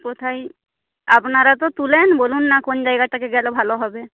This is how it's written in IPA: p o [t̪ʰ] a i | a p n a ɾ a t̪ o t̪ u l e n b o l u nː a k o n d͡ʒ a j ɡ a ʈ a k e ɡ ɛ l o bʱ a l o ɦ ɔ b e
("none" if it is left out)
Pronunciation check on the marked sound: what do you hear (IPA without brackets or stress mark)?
t̪ʰ